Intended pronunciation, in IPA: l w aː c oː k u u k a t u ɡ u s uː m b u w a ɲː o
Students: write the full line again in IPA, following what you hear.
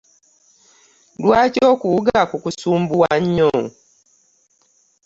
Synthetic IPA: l w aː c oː k u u ɡ a k u k u s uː m b u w a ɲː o